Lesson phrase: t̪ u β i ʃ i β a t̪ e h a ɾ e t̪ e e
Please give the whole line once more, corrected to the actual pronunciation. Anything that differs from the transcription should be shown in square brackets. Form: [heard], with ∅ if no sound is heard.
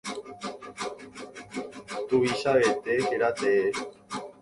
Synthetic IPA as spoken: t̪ u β i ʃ [a] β [e] t̪ e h [e] ɾ [a] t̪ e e